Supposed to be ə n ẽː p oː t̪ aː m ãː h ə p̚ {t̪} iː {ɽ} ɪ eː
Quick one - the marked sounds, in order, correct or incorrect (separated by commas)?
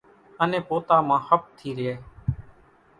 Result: incorrect, incorrect